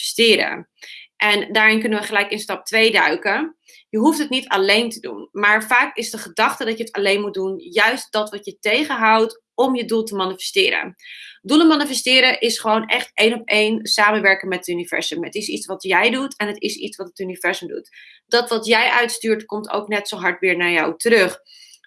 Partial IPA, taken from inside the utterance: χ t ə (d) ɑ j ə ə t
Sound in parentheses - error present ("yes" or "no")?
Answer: no